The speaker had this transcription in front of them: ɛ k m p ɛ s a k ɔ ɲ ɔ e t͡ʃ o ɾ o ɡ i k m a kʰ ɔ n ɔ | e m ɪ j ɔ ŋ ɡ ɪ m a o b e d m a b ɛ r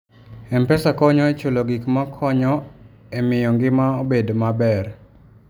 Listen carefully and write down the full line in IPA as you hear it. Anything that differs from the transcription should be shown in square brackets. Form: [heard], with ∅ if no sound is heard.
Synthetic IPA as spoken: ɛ [∅] m p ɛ s a k ɔ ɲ ɔ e t͡ʃ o [l] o ɡ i k m a kʰ ɔ [ɲ] ɔ | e m ɪ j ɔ ŋ ɡ ɪ m a o b e d m a b ɛ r